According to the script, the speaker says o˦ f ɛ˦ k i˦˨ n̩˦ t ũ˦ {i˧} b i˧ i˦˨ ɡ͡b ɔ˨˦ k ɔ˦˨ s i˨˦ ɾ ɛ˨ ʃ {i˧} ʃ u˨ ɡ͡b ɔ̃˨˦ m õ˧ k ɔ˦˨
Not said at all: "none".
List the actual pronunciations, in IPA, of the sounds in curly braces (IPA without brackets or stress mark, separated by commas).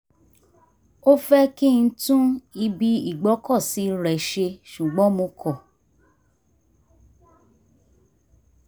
i˧, e˧